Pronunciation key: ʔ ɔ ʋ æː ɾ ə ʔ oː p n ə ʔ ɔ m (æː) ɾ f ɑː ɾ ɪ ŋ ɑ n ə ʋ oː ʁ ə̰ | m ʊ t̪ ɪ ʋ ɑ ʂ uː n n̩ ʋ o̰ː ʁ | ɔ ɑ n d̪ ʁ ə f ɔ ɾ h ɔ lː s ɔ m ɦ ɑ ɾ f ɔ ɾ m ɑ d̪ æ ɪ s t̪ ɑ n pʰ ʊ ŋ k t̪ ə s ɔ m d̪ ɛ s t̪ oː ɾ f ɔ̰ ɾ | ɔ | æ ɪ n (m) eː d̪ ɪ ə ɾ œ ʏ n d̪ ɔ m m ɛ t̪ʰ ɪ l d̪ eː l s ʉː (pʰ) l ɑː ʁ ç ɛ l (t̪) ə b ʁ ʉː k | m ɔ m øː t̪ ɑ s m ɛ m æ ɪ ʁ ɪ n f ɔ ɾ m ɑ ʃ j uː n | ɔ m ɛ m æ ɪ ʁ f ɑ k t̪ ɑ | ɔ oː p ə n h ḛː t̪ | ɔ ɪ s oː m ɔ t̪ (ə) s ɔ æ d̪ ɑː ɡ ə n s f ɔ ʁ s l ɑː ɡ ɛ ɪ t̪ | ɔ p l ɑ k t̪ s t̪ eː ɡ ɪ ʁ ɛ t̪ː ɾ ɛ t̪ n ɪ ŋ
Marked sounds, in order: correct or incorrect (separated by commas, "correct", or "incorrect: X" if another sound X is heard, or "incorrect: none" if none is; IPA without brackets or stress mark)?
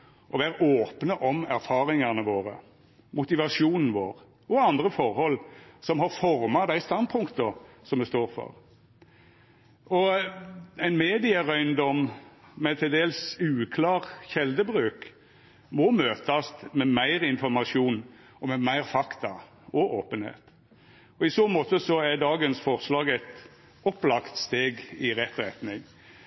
incorrect: æ, correct, incorrect: kʰ, incorrect: d̪, correct